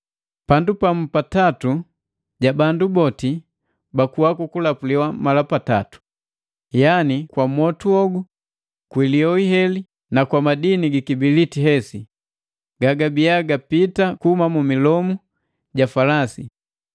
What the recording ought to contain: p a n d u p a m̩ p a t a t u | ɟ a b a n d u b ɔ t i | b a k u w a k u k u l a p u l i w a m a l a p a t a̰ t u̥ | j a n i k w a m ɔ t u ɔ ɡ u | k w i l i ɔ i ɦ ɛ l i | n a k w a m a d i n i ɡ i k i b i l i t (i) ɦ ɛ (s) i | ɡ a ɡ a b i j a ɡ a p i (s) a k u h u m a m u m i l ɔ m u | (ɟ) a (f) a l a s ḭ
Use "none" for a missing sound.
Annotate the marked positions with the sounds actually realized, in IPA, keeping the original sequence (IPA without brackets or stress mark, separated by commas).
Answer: i, s, t, ɟ, f